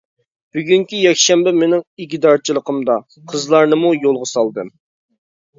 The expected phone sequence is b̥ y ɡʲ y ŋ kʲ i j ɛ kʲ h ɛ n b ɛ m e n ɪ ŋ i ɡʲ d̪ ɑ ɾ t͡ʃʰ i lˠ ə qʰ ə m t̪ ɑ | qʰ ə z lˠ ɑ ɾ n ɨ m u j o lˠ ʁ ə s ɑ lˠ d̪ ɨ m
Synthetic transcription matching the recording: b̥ y ɡʲ y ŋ kʲ i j ɛ kʲ ʃ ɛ m b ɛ m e n ɪ ŋ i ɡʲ d̪ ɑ ɾ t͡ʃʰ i lˠ ə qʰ ə m d̪ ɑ | qʰ ə z lˠ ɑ ɾ n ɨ m u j o lˠ ʁ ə s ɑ lˠ d̪ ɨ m